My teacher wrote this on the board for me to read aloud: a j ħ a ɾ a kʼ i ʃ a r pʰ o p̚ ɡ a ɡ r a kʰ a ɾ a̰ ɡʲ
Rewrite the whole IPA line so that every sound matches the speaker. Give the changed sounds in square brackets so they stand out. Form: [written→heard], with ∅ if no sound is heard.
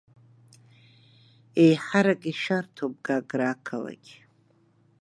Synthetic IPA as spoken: [a→e] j ħ a ɾ a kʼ i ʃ a r [pʰ→tʰ] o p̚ ɡ a ɡ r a kʰ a [ɾ→l] a̰ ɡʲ